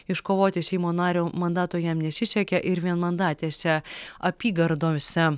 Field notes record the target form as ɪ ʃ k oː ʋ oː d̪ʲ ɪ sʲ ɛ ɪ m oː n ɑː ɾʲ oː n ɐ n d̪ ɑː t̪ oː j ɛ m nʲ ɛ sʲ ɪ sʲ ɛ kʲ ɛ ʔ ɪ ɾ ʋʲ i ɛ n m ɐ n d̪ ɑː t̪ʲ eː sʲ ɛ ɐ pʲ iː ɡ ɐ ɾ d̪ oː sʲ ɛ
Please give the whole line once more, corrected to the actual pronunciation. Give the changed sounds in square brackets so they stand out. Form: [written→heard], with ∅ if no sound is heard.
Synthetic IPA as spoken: ɪ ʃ k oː ʋ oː [d̪ʲ→t̪ʲ] ɪ sʲ ɛ ɪ m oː n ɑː ɾʲ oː [n→m] ɐ n d̪ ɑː t̪ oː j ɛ m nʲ ɛ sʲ ɪ sʲ ɛ kʲ ɛ ʔ ɪ ɾ ʋʲ i ɛ n m ɐ n d̪ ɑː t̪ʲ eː sʲ ɛ ɐ pʲ iː ɡ ɐ ɾ d̪ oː sʲ ɛ